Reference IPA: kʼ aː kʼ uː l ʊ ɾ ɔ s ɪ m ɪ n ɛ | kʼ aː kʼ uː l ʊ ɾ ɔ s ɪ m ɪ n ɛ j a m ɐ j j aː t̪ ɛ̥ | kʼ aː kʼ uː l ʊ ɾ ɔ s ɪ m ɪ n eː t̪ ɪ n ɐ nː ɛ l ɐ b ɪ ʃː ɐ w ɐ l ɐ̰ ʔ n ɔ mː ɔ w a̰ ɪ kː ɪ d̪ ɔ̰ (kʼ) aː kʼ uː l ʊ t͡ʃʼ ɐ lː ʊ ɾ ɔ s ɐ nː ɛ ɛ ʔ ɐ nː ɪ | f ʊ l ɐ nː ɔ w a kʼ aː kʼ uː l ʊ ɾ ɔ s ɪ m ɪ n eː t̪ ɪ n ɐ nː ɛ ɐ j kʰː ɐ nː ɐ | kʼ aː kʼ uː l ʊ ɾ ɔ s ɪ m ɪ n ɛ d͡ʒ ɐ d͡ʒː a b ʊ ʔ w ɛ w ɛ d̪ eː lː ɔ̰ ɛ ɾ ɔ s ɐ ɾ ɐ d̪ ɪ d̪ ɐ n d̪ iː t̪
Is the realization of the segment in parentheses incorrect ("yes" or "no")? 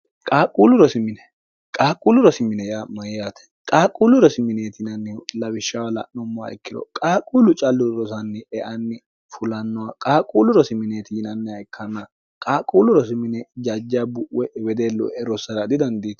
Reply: no